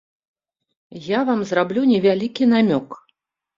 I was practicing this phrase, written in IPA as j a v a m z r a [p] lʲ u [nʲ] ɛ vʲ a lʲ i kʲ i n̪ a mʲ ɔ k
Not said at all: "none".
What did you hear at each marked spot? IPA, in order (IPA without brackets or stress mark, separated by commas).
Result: b, nʲ